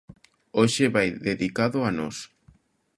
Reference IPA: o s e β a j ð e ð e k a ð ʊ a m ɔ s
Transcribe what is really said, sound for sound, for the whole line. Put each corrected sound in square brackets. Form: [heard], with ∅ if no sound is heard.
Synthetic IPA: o [ʃ] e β a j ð e ð [i] k a ð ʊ a [n] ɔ s